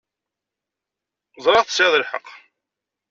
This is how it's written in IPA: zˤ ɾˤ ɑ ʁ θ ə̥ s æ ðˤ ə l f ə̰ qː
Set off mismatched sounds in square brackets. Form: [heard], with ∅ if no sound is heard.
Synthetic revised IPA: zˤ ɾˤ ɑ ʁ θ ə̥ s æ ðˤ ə l [ħ] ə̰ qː